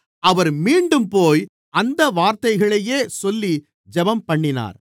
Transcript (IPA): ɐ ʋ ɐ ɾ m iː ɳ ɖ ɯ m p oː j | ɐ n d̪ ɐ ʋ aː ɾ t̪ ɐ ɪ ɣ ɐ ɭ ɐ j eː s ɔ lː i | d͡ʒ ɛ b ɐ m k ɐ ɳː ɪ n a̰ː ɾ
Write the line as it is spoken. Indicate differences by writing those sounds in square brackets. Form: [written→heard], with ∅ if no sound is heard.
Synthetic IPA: ɐ ʋ ɐ ɾ m iː ɳ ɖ ɯ m p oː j | ɐ n d̪ ɐ ʋ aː ɾ t̪ ɐ ɪ ɣ ɐ ɭ ɐ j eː s ɔ lː i | d͡ʒ ɛ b ɐ m [k→p] ɐ ɳː ɪ n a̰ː ɾ